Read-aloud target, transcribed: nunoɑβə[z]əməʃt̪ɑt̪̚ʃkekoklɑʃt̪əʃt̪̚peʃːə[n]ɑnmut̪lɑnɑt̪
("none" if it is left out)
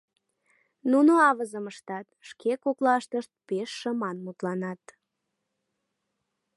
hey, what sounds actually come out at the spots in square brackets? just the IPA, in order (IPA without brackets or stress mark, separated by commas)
z, m